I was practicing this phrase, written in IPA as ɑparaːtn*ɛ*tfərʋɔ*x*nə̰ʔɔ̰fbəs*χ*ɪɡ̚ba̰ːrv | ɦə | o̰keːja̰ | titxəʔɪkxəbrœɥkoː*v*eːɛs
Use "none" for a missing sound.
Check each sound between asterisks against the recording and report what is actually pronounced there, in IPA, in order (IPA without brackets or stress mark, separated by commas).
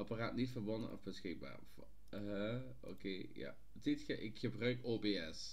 i, none, x, b